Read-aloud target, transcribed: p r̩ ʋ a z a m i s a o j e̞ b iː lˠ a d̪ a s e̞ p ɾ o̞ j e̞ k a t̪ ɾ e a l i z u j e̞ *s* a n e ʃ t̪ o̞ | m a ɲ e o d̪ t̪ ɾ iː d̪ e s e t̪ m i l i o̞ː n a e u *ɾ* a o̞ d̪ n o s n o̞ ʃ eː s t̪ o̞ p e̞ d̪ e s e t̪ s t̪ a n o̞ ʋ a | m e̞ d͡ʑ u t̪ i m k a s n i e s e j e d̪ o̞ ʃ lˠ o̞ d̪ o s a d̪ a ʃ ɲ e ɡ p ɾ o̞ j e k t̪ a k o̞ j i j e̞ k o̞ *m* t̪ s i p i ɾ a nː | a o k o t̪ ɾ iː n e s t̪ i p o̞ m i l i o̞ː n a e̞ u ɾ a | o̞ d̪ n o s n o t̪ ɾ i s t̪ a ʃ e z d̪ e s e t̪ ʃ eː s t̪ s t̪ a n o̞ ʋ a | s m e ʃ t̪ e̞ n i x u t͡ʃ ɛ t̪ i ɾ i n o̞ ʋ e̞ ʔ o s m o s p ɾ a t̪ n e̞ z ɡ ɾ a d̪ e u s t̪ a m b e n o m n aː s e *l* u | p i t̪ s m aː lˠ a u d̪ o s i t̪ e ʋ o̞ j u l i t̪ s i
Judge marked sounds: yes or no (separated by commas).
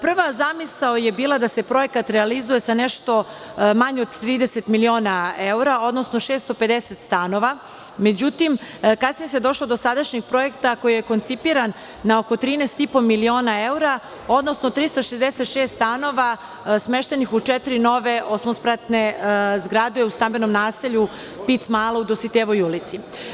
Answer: yes, yes, no, no